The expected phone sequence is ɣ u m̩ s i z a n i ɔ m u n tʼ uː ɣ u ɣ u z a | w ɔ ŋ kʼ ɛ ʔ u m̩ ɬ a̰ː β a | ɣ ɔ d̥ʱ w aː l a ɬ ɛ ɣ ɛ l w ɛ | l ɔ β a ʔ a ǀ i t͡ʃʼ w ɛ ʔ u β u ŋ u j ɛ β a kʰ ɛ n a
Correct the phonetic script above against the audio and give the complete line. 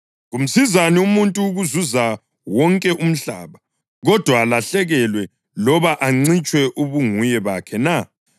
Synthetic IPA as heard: ɣ u m̩ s i z a n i u m u n tʼ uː ɣ u z u z a | w ɔ ŋ kʼ ɛ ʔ u m̩ ɬ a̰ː β a | ɣ ɔ d̥ʱ w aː l a ɬ ɛ ɣ ɛ l w ɛ | l ɔ β a ʔ a ŋ͡ǀ i t͡ʃʼ w ɛ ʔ u β u ŋ u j ɛ β a kʰ ɛ n a